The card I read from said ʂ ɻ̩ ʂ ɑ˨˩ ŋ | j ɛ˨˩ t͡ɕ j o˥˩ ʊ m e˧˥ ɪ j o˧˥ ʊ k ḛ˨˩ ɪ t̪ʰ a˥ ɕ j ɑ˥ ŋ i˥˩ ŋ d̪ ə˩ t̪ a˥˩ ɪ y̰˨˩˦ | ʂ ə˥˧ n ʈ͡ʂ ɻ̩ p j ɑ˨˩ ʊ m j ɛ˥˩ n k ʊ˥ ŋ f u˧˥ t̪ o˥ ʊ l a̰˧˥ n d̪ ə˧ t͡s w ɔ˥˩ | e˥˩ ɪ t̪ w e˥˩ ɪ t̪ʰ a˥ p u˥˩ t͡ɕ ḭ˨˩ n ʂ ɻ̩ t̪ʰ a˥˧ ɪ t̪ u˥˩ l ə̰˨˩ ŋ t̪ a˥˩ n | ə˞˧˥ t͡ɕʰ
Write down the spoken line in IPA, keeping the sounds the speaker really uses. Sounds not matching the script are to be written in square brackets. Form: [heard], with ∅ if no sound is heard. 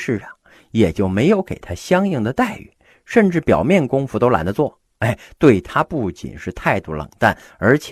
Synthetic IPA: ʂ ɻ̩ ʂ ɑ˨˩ ŋ | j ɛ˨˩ t͡ɕ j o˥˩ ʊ m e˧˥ ɪ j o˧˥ ʊ k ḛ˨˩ ɪ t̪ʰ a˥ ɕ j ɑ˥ ŋ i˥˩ ŋ d̪ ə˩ t̪ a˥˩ ɪ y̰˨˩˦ | ʂ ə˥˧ n ʈ͡ʂ ɻ̩ p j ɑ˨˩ ʊ m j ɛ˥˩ n k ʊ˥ ŋ f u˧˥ t̪ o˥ ʊ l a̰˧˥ n d̪ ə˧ t͡s w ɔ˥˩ | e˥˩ ɪ t̪ w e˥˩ ɪ t̪ʰ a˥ p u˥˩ t͡ɕ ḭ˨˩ n ʂ ɻ̩ t̪ʰ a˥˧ ɪ t̪ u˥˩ l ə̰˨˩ ŋ t̪ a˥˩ n | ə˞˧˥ t͡ɕʰ